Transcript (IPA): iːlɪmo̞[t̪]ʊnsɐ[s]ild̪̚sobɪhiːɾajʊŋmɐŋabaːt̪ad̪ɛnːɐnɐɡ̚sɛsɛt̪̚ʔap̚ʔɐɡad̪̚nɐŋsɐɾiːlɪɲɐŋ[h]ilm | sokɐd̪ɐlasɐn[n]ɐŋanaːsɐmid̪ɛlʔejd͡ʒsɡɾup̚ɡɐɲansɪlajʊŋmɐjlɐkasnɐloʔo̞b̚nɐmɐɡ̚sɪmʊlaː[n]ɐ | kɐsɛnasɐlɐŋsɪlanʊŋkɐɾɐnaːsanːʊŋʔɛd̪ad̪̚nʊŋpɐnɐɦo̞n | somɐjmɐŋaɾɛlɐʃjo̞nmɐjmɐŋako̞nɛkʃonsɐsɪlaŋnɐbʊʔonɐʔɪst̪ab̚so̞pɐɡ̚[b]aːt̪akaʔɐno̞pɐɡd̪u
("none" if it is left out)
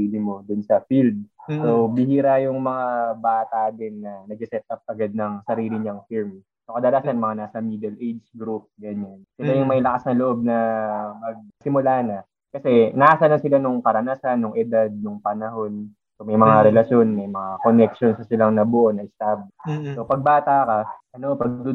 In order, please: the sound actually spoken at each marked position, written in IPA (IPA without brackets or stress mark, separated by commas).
d̪, f, f, m, n, b